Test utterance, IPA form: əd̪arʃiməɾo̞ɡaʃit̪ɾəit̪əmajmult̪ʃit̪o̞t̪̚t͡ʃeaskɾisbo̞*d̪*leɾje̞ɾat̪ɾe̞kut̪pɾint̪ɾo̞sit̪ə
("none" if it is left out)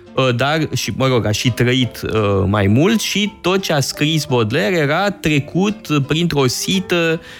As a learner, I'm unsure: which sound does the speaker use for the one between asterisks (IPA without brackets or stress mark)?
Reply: d̪